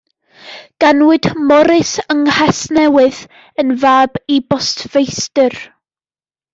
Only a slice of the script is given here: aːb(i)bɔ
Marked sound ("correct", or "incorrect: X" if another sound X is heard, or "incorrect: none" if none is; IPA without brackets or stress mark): correct